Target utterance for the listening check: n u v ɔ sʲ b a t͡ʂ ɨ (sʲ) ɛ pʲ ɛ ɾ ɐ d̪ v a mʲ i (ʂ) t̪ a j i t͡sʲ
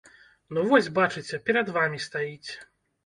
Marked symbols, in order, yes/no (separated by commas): no, no